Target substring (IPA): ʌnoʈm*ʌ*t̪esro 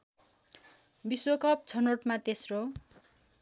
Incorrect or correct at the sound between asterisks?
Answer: incorrect: a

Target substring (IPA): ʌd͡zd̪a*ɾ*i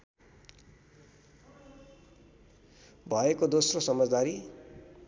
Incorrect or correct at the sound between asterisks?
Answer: correct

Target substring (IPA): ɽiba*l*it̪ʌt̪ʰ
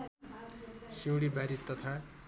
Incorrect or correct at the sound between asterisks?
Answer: incorrect: ɾ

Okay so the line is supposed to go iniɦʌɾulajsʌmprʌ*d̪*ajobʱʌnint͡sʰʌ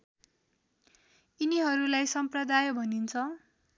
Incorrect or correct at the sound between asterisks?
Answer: correct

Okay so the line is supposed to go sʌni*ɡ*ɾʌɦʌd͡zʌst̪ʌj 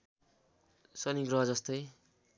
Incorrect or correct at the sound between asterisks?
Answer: correct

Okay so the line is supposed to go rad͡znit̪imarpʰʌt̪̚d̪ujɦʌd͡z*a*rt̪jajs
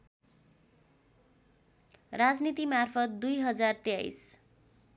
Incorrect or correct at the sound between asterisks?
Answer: correct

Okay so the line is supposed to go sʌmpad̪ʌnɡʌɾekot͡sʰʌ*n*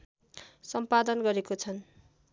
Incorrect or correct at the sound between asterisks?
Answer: correct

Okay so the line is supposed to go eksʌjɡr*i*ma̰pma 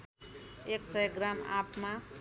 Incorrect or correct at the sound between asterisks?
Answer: incorrect: a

